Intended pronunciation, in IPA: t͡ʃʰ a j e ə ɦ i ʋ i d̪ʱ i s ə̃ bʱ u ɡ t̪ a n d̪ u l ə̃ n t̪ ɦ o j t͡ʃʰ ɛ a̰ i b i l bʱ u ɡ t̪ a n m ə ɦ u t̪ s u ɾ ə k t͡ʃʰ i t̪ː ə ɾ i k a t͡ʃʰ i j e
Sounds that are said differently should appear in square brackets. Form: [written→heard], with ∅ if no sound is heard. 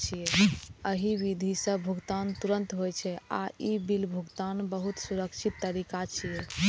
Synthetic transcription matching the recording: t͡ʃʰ [a→i] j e ə ɦ i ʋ i d̪ʱ i s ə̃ bʱ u ɡ t̪ a n [d̪→t̪] u [l→ɾ] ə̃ n t̪ ɦ o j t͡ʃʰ ɛ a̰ i b i l bʱ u ɡ t̪ a n [m→b] ə ɦ u t̪ s u ɾ ə k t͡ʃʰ i t̪ː ə ɾ i k a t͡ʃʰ i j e